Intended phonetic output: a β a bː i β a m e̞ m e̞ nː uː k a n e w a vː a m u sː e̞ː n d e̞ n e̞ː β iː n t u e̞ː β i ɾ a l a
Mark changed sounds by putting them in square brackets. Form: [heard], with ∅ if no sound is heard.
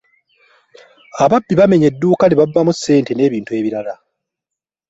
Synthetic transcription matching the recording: a β a bː i β a m e̞ [ɲ] e̞ [dː] uː k a n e [β] a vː a m u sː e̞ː n [t] e̞ n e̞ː β iː n t u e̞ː β i ɾ a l a